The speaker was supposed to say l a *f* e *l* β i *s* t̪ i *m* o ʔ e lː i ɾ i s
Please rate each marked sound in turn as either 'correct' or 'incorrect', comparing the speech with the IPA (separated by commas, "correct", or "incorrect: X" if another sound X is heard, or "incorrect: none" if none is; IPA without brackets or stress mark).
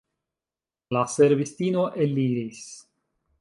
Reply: incorrect: s, incorrect: ɾ, correct, incorrect: n